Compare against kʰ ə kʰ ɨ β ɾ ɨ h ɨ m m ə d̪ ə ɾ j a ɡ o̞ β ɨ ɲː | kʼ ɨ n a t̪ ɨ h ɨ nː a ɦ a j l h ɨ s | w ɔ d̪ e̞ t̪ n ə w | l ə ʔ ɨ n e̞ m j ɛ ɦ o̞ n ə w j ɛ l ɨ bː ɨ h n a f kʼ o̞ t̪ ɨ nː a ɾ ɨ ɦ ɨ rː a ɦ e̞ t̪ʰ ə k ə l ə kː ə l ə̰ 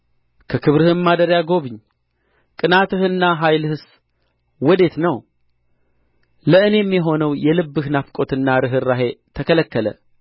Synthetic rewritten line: kʰ ə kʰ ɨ β ɾ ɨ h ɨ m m a d̪ ə ɾ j a ɡ o̞ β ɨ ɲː | kʼ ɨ n a t̪ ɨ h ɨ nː a ɦ a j l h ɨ s | w ɔ d̪ e̞ t̪ n ə w | l ə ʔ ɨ n e̞ m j ɛ ɦ o̞ n ə w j ɛ l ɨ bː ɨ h n a f kʼ o̞ t̪ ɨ nː a ɾ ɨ ɦ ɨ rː a ɦ e̞ t̪ʰ ə k ə l ə kː ə l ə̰